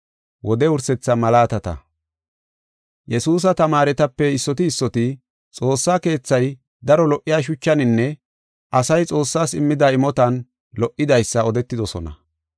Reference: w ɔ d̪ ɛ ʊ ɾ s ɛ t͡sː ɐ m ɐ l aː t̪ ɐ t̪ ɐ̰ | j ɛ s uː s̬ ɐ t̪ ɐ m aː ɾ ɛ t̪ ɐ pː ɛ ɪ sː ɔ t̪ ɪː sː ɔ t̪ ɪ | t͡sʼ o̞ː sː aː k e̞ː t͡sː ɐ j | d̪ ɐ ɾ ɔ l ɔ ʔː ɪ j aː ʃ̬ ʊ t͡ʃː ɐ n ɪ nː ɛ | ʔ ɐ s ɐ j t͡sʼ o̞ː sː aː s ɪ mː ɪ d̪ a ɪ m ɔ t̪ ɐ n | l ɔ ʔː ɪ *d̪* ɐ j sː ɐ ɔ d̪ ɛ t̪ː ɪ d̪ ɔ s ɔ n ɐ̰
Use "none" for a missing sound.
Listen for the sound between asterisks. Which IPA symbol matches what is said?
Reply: d̪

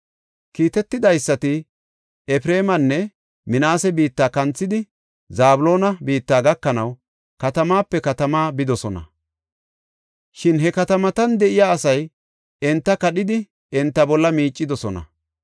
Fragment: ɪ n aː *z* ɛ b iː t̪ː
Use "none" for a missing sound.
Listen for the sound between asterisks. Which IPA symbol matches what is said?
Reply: s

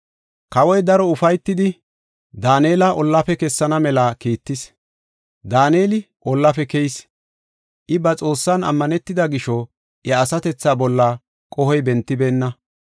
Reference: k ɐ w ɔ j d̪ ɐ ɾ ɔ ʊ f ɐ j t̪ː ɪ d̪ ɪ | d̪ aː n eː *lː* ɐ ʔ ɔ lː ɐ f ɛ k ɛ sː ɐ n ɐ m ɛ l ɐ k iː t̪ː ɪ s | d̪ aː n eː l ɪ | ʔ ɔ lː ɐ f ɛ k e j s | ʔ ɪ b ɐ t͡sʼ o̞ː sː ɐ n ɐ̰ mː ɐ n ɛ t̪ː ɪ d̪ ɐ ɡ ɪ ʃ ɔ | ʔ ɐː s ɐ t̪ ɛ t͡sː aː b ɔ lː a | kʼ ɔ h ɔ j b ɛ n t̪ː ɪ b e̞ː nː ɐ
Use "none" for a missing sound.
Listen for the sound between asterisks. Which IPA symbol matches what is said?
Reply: l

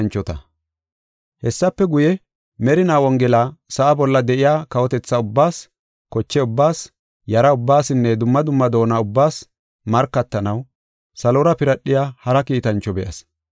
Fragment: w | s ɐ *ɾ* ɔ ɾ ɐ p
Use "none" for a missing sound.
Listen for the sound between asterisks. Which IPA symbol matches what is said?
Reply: l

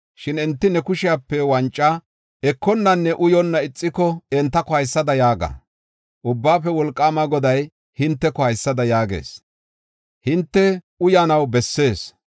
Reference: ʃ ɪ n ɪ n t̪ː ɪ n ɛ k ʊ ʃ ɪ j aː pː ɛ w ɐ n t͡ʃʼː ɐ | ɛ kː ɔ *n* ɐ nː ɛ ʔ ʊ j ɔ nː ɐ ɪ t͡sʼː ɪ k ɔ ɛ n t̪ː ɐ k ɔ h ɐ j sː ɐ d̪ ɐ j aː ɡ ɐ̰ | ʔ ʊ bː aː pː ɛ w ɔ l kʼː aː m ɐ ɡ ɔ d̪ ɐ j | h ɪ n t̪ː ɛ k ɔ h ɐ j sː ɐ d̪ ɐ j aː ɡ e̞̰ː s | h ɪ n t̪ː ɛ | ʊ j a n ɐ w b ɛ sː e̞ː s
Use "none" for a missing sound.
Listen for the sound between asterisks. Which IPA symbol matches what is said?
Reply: nː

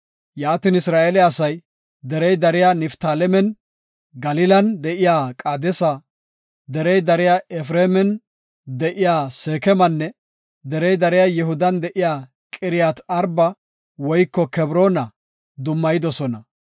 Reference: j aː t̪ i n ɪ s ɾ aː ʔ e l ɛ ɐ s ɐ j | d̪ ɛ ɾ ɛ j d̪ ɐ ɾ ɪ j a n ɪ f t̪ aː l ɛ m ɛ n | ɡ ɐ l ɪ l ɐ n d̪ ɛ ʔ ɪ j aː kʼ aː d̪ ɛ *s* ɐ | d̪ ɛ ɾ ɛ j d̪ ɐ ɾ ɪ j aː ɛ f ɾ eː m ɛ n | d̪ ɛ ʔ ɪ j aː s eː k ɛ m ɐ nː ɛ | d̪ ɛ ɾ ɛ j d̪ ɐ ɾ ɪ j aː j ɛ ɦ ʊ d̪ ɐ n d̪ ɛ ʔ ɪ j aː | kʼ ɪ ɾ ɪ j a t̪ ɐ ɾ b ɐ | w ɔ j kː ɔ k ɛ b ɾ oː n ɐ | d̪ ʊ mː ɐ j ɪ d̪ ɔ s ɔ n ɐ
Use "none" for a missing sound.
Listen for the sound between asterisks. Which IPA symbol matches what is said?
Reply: s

